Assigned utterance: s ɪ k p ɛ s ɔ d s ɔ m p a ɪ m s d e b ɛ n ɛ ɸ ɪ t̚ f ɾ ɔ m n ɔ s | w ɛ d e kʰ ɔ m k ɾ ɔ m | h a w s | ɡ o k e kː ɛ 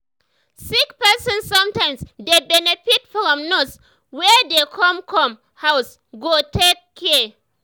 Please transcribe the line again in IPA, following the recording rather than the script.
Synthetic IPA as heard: s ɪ k p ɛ s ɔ n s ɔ m t a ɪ m s d e b ɛ n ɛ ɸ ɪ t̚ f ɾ ɔ m n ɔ s | w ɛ d e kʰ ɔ m k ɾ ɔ m | h a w s | ɡ o t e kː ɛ